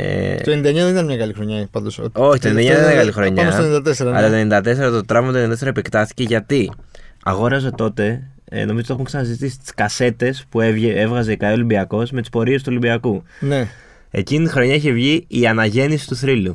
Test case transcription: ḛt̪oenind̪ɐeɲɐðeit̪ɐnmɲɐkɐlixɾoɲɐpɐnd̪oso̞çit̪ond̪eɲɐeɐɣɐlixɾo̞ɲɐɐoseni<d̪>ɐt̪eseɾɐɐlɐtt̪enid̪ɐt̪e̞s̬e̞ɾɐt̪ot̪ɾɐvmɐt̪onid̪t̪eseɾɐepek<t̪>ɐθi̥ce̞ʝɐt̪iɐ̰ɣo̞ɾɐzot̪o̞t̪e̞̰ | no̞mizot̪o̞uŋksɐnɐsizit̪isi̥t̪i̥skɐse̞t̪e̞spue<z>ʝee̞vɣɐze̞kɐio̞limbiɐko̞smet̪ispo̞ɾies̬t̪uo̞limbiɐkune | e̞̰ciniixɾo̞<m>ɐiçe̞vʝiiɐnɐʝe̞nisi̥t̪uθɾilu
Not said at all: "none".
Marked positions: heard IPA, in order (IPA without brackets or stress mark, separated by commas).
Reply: d̪, t̪, v, ɲ